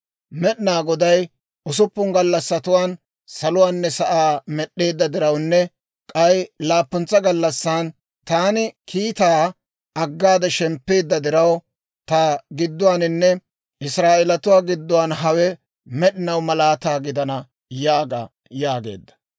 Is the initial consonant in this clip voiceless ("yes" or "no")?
no